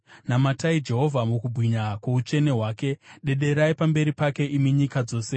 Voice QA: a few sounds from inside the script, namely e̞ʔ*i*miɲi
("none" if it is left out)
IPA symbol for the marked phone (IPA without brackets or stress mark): i